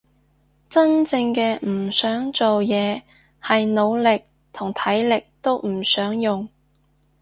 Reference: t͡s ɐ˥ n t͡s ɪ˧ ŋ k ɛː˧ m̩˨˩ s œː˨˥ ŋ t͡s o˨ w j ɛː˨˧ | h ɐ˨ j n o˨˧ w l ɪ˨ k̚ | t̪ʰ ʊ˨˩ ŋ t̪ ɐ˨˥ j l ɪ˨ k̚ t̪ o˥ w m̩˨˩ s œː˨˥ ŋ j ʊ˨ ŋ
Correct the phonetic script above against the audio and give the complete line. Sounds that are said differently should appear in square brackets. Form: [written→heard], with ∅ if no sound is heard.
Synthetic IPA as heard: t͡s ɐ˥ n t͡s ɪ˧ ŋ k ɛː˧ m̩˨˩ s œː˨˥ ŋ t͡s o˨ w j ɛː˨˧ | h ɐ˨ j n o˨˧ w l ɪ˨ k̚ | t̪ʰ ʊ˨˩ ŋ [t̪→t̪ʰ] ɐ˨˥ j l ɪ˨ k̚ t̪ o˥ w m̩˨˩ s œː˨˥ ŋ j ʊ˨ ŋ